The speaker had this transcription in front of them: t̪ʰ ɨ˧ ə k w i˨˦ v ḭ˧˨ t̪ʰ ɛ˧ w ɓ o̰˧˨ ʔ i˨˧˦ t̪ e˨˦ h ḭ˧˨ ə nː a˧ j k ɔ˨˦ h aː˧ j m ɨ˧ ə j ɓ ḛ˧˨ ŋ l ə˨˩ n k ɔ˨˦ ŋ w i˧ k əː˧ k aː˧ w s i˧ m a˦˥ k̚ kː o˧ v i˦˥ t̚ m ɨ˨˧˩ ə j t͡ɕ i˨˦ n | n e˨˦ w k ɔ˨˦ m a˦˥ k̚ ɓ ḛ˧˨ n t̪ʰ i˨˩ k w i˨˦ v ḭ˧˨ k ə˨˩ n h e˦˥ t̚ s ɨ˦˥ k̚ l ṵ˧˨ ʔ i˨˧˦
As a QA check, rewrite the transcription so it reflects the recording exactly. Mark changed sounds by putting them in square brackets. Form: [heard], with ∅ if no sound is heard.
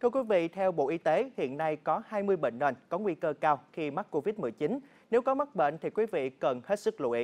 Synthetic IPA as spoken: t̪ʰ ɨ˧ ə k w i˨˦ v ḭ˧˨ t̪ʰ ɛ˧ w ɓ o̰˧˨ ʔ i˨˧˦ t̪ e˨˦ h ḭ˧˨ ə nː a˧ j k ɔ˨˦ h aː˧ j m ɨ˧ ə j ɓ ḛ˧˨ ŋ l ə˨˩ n k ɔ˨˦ ŋ w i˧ k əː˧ k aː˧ w [x] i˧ m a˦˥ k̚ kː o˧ v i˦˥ t̚ m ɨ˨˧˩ ə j t͡ɕ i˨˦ n | n e˨˦ w k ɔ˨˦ m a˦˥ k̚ ɓ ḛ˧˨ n t̪ʰ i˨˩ k w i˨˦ v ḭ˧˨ k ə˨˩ n h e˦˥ t̚ s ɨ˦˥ k̚ l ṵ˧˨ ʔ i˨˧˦

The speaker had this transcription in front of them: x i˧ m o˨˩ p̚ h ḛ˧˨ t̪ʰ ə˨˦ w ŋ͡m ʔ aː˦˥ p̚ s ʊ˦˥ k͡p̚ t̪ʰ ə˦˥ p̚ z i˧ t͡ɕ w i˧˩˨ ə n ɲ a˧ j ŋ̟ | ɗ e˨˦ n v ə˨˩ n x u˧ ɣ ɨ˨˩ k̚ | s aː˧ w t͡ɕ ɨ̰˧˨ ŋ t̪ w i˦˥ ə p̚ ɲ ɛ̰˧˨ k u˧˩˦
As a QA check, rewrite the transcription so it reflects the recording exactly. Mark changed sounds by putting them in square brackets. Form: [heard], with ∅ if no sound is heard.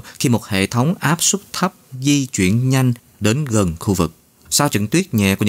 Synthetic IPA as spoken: x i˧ m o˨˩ [t̚] h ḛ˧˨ t̪ʰ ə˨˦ w ŋ͡m ʔ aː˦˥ p̚ s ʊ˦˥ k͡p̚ t̪ʰ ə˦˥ p̚ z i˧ t͡ɕ w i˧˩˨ ə n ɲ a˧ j ŋ̟ | ɗ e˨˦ n [ɣ] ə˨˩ n x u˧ [v] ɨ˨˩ k̚ | s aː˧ w t͡ɕ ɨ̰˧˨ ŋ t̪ w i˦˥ ə [t̚] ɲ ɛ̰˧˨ k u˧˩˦

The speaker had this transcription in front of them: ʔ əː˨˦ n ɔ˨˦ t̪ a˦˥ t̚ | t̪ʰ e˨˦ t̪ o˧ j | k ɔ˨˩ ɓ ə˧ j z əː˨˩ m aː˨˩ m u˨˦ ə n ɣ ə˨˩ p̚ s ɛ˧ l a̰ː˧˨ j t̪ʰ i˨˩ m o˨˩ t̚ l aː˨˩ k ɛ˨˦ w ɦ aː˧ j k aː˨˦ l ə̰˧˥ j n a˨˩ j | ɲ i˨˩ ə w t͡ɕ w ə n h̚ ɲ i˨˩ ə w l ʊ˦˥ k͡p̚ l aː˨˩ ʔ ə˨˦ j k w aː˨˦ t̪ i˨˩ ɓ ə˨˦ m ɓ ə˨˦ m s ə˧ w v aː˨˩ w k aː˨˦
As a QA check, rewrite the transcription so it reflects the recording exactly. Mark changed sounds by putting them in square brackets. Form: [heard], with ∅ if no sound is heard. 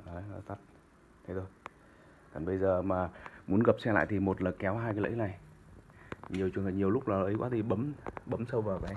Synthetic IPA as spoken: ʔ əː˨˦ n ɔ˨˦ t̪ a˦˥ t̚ | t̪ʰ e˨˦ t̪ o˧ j | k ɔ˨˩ ɓ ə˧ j z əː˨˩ m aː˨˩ m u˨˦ ə n ɣ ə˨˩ p̚ s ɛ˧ l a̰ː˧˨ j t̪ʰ i˨˩ m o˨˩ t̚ l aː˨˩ k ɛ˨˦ w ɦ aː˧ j k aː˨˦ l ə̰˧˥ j n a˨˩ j | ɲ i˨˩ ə w t͡ɕ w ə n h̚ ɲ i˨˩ ə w l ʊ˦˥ k͡p̚ l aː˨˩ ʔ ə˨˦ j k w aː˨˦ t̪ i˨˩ ɓ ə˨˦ m ɓ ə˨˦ m s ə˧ w v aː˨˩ w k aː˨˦

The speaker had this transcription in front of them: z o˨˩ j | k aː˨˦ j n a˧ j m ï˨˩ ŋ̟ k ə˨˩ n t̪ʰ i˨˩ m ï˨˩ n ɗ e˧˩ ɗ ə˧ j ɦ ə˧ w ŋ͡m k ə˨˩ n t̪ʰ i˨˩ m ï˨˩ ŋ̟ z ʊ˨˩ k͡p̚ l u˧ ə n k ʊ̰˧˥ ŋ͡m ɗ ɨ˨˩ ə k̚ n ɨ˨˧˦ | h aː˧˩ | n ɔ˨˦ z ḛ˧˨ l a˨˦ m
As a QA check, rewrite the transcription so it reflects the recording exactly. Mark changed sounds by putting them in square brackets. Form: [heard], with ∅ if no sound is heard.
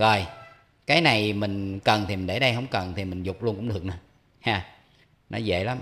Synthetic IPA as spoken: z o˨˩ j | k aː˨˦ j n [a˨˩] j m ï˨˩ ŋ̟ k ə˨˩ n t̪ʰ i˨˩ m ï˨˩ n ɗ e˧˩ ɗ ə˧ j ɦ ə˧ w ŋ͡m k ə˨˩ n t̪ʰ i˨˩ m ï˨˩ ŋ̟ z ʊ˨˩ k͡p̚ l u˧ ə n k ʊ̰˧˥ ŋ͡m ɗ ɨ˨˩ ə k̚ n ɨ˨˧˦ | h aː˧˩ | n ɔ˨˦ z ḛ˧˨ l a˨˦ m

